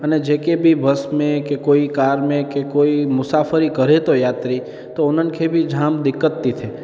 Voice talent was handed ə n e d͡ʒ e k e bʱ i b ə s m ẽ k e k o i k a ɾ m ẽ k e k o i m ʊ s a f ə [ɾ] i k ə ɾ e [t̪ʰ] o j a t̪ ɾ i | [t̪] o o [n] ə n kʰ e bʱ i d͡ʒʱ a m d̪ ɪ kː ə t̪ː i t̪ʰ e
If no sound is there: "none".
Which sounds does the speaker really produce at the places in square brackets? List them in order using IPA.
ɾ, t̪, t̪, n

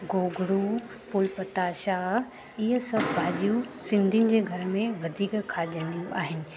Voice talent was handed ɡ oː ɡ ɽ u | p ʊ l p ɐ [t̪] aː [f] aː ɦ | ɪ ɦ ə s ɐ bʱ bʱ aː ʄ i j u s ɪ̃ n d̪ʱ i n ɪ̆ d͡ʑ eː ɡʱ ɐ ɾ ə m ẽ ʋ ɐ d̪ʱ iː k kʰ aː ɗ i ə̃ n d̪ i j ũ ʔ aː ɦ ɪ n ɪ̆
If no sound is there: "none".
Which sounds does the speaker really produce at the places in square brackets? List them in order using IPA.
t̪, ʃ

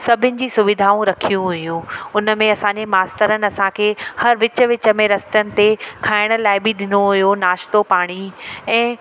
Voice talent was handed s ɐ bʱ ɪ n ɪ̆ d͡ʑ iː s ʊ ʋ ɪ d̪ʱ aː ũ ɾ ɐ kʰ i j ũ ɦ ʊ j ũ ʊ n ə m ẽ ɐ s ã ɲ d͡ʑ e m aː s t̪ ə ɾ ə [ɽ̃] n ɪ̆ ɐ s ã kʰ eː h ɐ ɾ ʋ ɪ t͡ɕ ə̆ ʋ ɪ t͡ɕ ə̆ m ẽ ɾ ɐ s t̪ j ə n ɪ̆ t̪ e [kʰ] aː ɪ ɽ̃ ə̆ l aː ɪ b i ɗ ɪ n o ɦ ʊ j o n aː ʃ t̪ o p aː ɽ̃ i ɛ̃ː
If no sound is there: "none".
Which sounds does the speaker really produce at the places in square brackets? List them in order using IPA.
none, kʰ

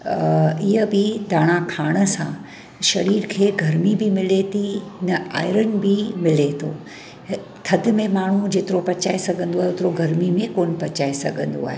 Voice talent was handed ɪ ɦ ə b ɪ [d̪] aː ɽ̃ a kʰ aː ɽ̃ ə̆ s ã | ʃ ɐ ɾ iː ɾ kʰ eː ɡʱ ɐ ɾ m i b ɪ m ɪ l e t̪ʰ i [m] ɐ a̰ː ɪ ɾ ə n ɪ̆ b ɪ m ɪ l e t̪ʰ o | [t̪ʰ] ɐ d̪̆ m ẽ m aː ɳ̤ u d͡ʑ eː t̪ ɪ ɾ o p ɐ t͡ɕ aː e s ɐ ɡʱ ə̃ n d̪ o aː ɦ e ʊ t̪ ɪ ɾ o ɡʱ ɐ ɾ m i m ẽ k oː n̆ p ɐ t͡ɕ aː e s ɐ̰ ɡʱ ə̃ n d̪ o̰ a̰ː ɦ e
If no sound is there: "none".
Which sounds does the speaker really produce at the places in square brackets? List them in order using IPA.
d̪, n, t̪ʰ

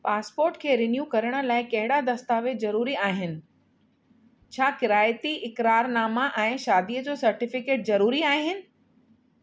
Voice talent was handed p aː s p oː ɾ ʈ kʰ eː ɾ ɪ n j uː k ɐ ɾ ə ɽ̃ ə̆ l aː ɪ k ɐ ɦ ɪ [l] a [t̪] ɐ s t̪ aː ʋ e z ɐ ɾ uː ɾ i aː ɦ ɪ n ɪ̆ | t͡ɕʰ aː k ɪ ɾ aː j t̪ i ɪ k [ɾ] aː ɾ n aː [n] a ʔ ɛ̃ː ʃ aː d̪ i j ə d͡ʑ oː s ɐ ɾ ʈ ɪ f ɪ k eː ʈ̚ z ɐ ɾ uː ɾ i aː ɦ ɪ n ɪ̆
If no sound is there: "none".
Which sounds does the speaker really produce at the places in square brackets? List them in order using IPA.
ɽ, d̪, ɾ, m

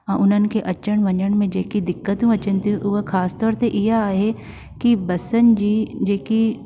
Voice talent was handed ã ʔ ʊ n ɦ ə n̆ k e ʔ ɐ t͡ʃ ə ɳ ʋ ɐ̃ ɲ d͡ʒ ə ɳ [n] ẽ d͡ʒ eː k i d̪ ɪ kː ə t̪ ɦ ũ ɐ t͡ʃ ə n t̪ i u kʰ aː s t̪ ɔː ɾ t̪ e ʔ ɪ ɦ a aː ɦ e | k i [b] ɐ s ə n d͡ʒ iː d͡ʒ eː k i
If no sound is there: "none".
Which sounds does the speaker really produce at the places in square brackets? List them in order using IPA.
m, b

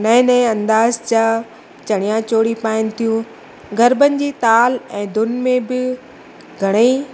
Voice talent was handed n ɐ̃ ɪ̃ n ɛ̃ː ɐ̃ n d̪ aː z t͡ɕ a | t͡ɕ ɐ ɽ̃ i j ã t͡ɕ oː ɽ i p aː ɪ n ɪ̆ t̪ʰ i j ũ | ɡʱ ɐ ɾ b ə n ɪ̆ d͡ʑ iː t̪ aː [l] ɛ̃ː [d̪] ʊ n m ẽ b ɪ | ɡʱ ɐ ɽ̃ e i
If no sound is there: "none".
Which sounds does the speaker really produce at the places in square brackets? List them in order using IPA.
l, d̪

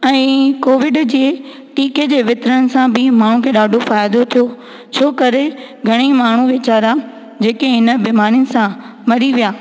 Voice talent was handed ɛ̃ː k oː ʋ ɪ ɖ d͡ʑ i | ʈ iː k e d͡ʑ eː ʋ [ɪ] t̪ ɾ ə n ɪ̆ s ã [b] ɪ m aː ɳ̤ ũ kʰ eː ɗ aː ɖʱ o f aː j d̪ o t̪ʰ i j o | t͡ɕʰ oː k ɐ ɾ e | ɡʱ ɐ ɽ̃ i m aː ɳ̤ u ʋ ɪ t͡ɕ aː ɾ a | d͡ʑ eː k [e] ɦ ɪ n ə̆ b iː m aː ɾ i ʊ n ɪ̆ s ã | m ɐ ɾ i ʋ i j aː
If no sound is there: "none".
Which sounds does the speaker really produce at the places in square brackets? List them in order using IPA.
ɪ, b, e

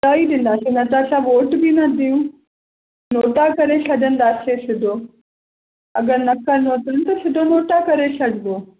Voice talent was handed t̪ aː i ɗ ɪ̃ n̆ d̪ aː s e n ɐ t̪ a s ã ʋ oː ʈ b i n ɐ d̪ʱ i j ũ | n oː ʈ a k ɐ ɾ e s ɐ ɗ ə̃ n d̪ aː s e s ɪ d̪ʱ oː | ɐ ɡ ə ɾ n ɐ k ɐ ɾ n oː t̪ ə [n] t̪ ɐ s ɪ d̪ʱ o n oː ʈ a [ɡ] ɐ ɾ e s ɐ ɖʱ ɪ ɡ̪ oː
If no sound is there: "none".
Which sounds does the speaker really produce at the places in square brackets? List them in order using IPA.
n, k

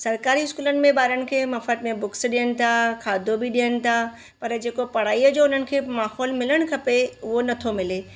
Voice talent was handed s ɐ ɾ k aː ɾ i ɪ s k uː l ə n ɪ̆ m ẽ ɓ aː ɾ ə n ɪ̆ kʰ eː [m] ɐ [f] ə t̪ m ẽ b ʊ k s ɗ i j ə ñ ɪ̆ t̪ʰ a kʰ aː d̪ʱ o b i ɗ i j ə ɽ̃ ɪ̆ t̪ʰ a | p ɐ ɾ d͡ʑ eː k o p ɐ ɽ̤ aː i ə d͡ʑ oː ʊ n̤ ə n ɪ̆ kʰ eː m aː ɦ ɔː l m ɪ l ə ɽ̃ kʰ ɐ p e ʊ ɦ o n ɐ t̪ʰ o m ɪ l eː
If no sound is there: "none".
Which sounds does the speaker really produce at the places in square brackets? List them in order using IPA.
m, f

